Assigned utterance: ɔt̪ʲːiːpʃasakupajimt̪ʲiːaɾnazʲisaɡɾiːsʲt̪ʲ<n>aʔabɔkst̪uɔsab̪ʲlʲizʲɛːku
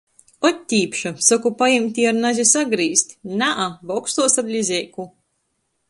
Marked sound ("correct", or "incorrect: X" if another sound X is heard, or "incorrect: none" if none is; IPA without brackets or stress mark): correct